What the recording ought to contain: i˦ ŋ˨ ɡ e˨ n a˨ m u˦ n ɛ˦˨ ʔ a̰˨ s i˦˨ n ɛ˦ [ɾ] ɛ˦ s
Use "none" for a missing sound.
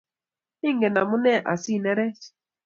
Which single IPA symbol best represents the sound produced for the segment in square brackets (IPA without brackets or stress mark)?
ɾ